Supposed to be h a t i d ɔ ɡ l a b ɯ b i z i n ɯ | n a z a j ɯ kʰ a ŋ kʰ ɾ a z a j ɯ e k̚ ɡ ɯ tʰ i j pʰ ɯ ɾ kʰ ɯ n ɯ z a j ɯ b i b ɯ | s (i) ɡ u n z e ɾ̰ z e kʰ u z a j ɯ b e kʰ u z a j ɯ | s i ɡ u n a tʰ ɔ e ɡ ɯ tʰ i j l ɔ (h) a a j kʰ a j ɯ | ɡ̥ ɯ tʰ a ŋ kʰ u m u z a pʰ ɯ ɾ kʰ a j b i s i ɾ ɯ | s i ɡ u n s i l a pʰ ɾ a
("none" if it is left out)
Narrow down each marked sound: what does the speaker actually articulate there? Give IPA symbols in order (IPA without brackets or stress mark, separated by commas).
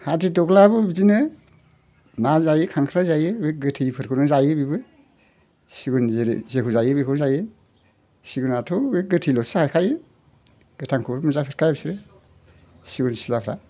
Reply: i, s